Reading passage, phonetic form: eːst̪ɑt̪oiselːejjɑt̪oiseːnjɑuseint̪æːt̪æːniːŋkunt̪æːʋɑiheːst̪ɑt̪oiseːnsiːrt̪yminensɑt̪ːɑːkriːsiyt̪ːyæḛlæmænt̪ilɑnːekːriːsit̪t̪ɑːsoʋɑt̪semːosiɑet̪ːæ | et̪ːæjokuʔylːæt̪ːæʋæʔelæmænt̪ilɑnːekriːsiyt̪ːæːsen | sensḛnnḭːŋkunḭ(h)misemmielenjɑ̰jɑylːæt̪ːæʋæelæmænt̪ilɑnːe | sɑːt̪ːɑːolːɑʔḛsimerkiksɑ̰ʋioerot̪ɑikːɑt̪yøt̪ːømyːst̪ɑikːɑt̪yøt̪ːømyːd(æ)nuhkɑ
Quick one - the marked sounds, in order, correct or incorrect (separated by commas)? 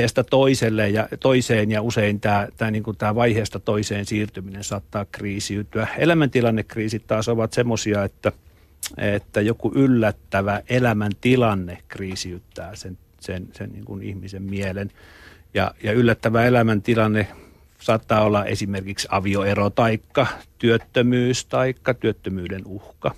correct, incorrect